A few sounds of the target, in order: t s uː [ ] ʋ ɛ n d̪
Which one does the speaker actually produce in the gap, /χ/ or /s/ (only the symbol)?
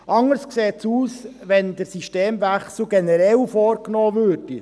s